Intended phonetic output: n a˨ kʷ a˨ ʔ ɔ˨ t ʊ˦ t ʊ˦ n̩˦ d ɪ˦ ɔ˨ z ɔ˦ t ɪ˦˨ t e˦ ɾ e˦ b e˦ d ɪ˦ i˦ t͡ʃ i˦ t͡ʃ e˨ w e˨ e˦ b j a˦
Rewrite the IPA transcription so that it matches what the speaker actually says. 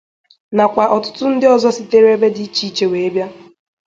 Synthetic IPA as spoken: n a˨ kʷ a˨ ʔ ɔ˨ t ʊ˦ t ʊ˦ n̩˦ d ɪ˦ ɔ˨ z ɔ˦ s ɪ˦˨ t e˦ ɾ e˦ b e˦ d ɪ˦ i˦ t͡ʃ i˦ t͡ʃ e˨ w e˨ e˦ b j a˦